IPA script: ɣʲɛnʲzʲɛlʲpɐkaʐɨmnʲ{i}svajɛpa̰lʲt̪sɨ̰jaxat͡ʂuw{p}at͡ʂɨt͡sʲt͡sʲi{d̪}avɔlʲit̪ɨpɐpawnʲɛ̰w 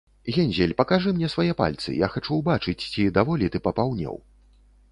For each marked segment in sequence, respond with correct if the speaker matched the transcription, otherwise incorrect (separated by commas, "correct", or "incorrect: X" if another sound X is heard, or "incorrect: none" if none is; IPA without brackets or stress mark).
incorrect: ɛ, incorrect: b, correct